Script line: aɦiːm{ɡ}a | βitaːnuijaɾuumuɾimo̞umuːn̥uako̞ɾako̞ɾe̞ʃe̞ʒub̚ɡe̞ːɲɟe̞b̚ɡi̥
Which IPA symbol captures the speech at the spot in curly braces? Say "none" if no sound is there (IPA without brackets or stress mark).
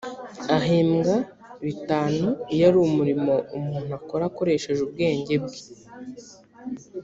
ɡ